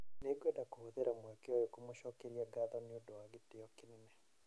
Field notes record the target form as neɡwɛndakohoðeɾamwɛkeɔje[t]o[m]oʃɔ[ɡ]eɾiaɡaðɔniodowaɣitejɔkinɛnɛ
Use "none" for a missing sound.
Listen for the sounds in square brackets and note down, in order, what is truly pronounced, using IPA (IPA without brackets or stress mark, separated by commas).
k, m, k